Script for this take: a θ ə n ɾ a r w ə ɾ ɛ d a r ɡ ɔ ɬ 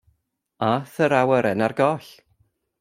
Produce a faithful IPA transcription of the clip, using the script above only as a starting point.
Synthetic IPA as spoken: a θ ə ɾ a w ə ɾ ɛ n a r ɡ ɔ ɬ